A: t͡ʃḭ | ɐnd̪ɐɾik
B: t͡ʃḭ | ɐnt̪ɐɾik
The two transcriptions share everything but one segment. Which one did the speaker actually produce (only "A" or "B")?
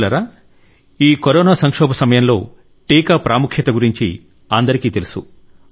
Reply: A